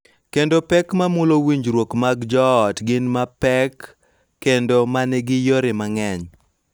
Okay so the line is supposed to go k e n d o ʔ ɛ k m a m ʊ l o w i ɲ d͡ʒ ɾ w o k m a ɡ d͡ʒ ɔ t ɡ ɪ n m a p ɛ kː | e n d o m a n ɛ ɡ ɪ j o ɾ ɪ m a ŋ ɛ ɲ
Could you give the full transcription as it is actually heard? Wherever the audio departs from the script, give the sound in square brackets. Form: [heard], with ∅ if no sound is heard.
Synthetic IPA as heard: k e n d o [p] ɛ k m a m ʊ l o w i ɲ d͡ʒ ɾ w o k m a ɡ d͡ʒ ɔ t ɡ ɪ n m a p ɛ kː | e n d o m a n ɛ ɡ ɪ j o ɾ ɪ m a ŋ ɛ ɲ